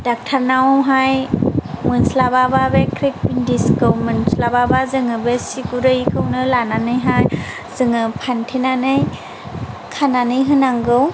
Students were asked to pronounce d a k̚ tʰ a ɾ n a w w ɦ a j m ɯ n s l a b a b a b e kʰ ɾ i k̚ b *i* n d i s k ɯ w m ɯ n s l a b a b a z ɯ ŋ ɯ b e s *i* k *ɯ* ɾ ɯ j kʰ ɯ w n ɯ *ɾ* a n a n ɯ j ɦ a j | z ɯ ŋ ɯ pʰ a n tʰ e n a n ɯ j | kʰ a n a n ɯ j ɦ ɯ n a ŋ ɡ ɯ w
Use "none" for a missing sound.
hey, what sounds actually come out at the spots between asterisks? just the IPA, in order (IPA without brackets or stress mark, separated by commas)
i, i, u, l